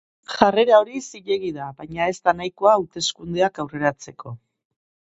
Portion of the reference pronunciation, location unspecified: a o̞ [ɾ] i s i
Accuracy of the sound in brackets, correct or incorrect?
correct